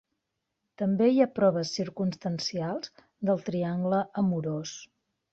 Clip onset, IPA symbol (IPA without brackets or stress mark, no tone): t̪